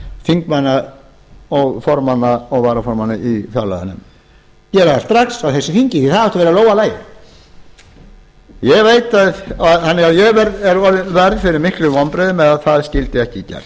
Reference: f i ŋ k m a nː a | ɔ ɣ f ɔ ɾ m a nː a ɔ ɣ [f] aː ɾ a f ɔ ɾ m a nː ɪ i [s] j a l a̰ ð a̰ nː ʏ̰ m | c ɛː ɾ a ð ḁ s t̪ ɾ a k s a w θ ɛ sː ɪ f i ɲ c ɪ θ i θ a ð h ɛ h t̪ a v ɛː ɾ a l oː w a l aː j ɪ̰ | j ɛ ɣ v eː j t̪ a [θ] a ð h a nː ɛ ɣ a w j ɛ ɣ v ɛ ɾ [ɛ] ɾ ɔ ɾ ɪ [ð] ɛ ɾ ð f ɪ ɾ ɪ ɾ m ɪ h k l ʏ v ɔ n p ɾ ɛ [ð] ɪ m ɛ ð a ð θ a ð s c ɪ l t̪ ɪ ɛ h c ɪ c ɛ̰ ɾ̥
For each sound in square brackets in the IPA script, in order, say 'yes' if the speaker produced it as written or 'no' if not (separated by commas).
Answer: no, no, no, yes, no, yes